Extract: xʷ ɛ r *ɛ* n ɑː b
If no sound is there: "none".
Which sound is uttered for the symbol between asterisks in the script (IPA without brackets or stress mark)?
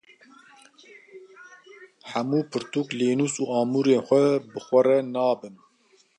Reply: ɛ